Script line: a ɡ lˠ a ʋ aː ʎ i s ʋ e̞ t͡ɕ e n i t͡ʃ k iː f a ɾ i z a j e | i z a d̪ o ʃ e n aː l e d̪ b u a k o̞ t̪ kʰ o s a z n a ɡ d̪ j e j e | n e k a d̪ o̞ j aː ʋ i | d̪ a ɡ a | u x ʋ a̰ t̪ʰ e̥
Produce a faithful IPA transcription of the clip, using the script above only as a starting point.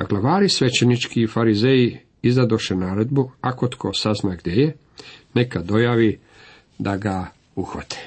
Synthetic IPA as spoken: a ɡ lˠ a ʋ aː ɾ i s ʋ e̞ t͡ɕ e n i t͡ʃ k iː f a ɾ i z e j i | i z a d̪ o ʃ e n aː ɾ e d̪ b u a k o̞ t̪ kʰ o s a z n a ɡ d̪ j e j e | n e k a d̪ o̞ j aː ʋ i | d̪ a ɡ a | u x ʋ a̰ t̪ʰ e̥